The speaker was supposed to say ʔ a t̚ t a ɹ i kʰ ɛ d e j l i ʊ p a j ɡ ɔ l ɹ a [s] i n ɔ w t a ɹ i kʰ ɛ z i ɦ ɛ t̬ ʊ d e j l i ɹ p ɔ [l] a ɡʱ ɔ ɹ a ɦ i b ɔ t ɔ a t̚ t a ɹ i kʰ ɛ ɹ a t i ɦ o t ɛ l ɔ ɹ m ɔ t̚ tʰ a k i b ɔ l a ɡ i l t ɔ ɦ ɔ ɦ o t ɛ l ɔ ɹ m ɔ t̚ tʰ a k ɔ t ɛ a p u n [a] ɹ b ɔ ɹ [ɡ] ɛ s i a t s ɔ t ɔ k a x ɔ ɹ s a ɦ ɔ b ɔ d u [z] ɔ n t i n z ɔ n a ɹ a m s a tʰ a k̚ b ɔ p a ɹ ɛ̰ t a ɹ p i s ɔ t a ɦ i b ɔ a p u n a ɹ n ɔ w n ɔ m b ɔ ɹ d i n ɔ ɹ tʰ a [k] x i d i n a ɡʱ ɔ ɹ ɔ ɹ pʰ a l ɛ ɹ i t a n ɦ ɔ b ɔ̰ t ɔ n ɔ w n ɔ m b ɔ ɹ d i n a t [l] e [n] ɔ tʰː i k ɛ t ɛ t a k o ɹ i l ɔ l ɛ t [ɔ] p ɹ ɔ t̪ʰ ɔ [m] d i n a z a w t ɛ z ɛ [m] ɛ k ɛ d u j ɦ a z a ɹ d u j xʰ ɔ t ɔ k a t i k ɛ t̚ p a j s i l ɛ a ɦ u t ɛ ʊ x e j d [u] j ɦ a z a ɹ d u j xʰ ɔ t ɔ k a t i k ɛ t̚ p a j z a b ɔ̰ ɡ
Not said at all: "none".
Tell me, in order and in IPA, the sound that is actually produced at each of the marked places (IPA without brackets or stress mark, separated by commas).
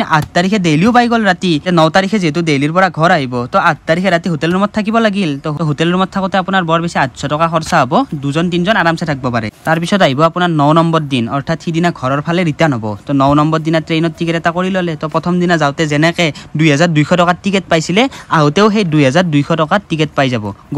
t, ɹ, a, b, z, t, ɹ, n, ɔ, m, n, u